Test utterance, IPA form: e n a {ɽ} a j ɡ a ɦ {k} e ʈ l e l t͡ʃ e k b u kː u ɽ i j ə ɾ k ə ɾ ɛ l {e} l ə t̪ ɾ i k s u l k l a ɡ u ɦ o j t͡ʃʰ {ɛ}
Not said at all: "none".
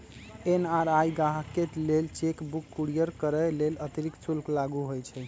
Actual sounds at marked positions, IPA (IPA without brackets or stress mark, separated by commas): ɾ, k, e, ɛ